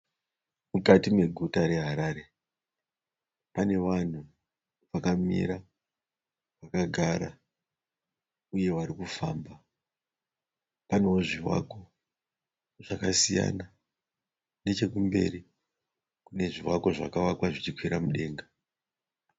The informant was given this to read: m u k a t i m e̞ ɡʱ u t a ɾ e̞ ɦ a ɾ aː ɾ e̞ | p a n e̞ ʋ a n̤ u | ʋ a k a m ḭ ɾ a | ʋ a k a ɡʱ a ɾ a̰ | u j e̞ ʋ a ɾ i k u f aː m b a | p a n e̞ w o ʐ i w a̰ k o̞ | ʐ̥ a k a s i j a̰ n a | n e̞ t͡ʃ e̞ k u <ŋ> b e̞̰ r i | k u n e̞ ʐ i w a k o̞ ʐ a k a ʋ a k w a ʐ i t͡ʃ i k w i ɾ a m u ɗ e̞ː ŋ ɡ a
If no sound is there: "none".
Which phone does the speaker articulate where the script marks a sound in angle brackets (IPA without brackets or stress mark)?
m